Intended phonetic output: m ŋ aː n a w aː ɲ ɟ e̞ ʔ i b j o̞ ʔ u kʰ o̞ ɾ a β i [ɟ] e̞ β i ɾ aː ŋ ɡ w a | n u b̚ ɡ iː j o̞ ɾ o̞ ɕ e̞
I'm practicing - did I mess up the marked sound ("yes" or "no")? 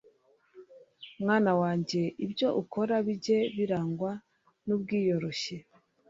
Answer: no